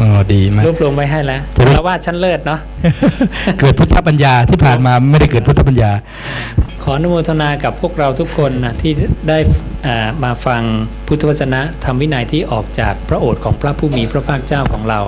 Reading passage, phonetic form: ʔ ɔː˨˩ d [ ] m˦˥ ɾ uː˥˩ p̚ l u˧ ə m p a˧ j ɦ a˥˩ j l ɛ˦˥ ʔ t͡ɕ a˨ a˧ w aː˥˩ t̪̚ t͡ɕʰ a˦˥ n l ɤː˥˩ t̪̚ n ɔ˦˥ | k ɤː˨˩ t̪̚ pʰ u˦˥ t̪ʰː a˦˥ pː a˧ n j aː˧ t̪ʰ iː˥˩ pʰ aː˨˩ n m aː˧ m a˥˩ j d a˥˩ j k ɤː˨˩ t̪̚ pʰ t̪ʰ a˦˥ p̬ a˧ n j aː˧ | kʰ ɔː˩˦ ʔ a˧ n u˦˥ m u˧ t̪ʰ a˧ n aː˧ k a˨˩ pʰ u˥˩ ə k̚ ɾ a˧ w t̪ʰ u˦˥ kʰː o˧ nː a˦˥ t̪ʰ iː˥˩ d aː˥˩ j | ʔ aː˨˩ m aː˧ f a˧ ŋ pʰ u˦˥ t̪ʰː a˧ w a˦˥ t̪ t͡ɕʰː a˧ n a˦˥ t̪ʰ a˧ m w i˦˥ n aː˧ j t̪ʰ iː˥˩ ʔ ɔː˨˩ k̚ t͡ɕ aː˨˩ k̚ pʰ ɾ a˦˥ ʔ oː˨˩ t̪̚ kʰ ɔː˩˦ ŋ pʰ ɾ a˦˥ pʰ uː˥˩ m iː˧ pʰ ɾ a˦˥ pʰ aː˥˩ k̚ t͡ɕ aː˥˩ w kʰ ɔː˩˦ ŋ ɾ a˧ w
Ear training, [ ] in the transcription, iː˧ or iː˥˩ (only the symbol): iː˧